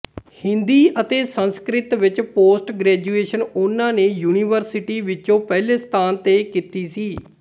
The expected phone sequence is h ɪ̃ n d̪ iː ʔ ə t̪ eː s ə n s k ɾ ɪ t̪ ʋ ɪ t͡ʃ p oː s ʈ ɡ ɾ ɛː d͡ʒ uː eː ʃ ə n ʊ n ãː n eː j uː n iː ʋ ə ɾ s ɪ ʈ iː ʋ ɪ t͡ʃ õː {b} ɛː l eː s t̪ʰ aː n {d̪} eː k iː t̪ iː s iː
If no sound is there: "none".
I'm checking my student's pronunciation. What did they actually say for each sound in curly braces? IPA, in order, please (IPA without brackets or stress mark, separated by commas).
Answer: p, t̪